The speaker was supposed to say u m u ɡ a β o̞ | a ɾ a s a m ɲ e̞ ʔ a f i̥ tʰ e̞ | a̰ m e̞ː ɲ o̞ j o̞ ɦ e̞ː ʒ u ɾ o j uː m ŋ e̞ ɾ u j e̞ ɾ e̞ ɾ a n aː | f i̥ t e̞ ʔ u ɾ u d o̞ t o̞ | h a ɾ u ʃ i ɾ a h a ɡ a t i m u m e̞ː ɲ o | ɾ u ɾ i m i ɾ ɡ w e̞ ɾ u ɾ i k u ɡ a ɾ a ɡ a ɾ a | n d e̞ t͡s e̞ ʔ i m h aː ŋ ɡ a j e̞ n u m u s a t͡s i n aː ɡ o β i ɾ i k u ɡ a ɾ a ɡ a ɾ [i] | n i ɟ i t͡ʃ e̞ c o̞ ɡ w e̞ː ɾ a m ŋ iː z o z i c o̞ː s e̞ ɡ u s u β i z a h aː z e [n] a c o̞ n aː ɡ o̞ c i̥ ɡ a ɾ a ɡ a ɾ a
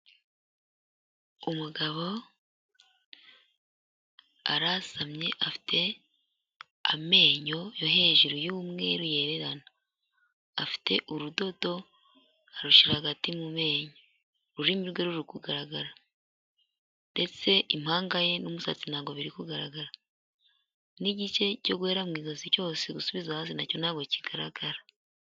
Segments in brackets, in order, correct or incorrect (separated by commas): incorrect, correct